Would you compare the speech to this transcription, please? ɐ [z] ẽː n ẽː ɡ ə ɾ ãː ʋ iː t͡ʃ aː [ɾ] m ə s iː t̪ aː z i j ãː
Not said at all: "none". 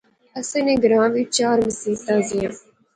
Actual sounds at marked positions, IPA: s, ɾ

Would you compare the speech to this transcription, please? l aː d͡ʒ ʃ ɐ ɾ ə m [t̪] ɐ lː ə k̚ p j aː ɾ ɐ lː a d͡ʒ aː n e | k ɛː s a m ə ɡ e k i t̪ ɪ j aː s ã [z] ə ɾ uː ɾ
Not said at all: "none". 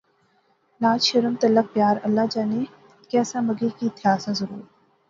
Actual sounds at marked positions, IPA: t̪, z

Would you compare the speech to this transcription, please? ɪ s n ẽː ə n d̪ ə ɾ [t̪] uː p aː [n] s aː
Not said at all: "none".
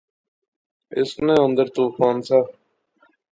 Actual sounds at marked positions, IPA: t̪, n

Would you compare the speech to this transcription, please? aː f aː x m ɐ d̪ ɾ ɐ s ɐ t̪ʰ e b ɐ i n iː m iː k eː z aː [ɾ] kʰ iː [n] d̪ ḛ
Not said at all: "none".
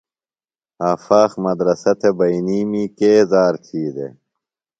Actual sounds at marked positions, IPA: ɾ, none

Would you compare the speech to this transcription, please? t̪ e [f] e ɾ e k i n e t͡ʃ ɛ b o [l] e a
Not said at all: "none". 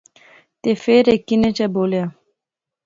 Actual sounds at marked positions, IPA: f, l

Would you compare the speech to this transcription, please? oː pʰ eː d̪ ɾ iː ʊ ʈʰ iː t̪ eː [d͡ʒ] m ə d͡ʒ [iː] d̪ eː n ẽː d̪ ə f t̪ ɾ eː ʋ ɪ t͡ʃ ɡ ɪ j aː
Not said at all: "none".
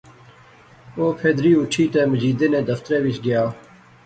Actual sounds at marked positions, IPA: none, iː

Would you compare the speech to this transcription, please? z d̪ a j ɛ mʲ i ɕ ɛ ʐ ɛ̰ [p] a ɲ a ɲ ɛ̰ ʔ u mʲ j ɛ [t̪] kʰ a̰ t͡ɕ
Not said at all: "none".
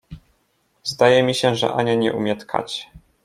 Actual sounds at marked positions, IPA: ʔ, t̪

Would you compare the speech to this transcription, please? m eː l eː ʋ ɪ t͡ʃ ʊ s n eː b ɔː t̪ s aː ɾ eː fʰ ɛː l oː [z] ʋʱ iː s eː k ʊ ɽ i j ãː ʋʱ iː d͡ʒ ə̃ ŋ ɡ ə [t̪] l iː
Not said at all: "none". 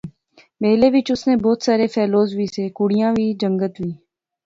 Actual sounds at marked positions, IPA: z, t̪

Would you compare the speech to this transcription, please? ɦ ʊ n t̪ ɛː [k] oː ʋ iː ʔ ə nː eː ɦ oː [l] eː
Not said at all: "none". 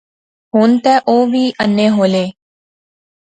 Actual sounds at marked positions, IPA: ʔ, l

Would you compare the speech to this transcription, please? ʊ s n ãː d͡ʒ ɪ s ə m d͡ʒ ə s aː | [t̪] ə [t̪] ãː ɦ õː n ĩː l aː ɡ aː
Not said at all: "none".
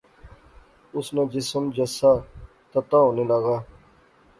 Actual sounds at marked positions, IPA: t̪, t̪

